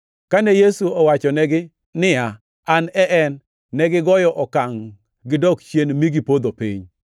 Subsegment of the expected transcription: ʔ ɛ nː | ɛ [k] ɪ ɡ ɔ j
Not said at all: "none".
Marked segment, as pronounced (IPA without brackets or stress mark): ɡ